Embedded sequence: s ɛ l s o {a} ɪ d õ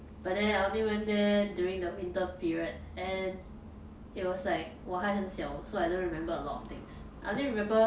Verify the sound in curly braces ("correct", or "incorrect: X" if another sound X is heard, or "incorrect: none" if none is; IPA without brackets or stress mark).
correct